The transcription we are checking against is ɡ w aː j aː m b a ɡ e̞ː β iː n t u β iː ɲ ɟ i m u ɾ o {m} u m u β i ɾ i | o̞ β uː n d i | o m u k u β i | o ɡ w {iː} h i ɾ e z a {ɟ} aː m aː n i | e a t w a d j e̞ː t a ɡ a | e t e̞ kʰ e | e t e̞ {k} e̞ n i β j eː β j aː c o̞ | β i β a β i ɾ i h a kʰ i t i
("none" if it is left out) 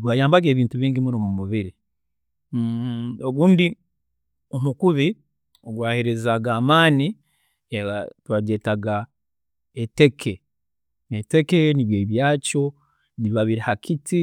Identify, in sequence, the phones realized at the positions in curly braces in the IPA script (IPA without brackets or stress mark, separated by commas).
m, aː, ɡ, k